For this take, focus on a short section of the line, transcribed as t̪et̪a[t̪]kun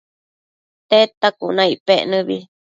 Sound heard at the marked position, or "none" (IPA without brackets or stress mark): none